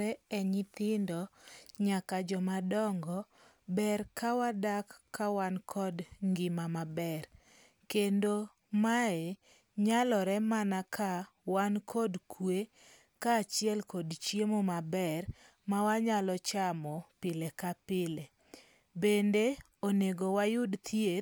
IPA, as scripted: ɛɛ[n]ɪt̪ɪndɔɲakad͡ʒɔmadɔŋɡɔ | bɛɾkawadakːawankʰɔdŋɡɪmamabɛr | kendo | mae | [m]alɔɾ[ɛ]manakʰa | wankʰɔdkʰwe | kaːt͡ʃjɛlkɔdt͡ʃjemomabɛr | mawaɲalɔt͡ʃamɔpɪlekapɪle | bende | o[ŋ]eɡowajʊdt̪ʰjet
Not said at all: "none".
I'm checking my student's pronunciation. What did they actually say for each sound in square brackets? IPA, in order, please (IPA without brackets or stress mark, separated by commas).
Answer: ɲ, ɲ, ɛ, n